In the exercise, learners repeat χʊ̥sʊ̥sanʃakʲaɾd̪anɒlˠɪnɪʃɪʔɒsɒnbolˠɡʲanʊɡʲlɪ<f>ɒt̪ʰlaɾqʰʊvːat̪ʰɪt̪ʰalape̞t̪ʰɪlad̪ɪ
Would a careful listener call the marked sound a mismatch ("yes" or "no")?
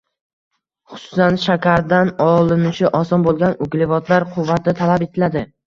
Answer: yes